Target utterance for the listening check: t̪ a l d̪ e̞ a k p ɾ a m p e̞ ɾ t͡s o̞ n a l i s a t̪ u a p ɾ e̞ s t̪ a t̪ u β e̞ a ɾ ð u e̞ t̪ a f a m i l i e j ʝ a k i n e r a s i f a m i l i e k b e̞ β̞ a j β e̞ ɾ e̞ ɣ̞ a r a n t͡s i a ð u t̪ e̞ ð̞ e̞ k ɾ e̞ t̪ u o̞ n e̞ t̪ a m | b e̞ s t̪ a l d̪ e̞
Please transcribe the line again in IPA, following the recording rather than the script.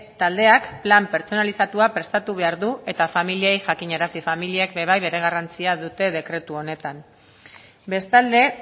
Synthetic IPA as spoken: t̪ a l d̪ e̞ a k p l a m p e̞ ɾ t͡s o̞ n a l i s a t̪ u a p ɾ e̞ s t̪ a t̪ u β e̞ a ɾ ð u e̞ t̪ a f a m i l i e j ʝ a k i ɲ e ɾ a s i f a m i l i e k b e̞ β̞ a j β e̞ ɾ e̞ ɣ̞ a r a n t͡s i a ð u t̪ e̞ ð̞ e̞ k ɾ e̞ t̪ u o̞ n e̞ t̪ a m | b e̞ s t̪ a l d̪ e̞